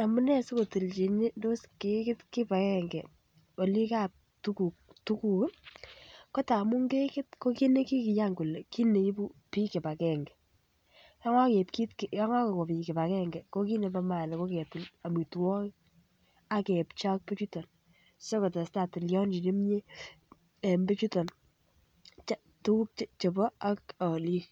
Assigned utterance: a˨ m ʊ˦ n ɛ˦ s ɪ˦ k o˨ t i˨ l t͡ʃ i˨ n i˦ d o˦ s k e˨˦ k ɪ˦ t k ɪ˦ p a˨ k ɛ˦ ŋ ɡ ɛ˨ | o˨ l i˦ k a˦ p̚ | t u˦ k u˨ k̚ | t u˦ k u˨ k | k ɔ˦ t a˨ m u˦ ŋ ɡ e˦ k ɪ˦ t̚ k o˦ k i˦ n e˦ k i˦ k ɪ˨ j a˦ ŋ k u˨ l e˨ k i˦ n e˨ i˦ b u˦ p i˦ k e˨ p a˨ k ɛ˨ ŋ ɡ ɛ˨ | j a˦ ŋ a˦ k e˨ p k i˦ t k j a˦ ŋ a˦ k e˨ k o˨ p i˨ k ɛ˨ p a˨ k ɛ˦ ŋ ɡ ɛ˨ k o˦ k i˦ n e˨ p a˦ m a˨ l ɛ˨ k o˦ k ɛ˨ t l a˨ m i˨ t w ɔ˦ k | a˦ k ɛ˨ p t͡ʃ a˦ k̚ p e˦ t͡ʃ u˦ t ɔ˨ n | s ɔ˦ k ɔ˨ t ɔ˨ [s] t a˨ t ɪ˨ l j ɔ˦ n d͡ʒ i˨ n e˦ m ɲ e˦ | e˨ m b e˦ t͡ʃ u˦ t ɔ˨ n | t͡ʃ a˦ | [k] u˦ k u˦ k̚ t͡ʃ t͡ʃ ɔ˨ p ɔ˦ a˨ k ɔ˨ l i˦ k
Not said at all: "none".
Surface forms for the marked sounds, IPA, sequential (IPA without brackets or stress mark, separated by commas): s, t